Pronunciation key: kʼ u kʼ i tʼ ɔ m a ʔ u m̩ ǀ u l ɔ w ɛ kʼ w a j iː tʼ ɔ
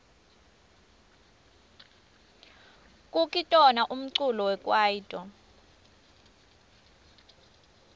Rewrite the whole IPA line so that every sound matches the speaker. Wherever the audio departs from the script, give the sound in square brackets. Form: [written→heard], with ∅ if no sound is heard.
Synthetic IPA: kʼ u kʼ i tʼ ɔ [m→n] a ʔ u m̩ ǀ u l ɔ w ɛ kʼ w a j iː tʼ ɔ